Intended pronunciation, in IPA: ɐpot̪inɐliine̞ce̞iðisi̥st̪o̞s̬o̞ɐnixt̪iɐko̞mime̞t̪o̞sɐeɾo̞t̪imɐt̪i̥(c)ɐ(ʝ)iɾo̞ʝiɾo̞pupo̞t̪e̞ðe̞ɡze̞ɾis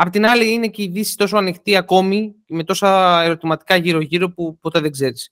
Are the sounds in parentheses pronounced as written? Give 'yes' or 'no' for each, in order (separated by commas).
no, yes